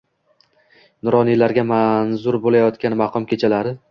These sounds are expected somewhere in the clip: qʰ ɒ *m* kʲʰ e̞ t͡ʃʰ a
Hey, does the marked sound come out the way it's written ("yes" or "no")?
yes